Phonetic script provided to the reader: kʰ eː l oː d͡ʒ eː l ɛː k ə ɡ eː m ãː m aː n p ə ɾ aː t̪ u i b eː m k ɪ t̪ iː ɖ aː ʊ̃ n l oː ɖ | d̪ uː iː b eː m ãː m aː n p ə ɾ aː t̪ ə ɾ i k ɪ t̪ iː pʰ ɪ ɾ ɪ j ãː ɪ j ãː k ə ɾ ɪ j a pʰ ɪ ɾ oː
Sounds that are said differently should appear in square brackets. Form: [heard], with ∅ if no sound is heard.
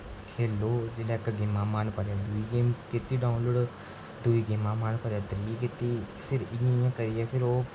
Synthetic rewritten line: kʰ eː l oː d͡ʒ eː l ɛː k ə ɡ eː m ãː m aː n p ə ɾ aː [d̪] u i [ɡ] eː m k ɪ t̪ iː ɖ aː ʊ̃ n l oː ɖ | d̪ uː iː [ɡ] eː m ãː m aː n p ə ɾ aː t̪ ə ɾ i k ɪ t̪ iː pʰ ɪ ɾ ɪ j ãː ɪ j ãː k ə ɾ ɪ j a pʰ ɪ ɾ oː